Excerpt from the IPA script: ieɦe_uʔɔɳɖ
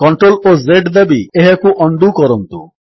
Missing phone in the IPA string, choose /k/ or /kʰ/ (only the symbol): k